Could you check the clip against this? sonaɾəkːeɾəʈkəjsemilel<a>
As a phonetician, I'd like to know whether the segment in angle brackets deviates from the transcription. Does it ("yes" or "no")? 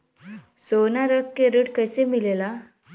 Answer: no